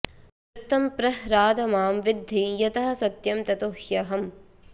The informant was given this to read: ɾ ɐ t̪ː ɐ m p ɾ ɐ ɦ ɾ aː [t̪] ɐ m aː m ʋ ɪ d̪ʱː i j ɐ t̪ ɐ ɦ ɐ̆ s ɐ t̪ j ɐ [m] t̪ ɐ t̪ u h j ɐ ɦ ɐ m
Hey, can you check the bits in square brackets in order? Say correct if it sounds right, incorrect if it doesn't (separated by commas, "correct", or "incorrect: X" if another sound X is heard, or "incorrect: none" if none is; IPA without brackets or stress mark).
incorrect: d̪, correct